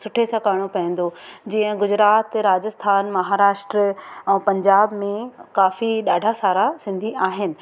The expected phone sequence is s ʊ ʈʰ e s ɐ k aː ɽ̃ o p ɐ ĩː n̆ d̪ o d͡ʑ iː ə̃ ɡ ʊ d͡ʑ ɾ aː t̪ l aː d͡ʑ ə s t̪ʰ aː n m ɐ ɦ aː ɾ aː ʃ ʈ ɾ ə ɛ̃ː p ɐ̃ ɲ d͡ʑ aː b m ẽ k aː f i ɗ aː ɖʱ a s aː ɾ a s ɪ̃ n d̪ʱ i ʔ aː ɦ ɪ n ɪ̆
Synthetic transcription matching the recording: s ʊ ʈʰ e s ɐ k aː ɽ̃ o p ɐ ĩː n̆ d̪ o d͡ʑ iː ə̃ ɡ ʊ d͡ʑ ɾ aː t̪ ɾ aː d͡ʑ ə s t̪ʰ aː n m ɐ ɦ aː ɾ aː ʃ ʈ ɾ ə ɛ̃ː p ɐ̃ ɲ d͡ʑ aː b m ẽ k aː f i ɗ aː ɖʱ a s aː ɾ a s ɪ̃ n d̪ʱ i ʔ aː ɦ ɪ n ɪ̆